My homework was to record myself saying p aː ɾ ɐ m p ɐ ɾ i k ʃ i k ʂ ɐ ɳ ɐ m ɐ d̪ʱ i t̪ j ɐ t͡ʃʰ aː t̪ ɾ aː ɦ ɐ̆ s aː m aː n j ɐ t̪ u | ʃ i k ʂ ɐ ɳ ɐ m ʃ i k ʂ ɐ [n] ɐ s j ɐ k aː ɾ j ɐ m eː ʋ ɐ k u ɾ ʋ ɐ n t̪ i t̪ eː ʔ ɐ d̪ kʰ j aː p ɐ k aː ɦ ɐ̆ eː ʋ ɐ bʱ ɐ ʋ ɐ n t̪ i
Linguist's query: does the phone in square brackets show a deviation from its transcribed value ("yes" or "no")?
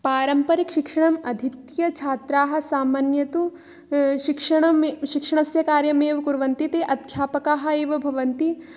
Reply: yes